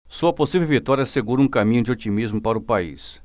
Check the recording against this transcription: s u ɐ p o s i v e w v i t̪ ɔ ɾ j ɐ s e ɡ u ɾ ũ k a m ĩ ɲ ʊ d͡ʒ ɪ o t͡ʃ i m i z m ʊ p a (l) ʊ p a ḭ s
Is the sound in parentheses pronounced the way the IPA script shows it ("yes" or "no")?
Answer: no